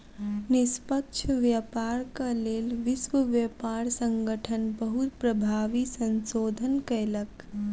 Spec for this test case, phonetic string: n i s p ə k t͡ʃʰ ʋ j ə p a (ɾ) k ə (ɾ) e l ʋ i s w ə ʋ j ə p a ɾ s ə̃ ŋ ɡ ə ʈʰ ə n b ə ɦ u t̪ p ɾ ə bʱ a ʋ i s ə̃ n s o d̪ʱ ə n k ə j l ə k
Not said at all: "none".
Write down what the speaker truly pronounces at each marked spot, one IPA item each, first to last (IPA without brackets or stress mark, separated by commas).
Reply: ɾ, l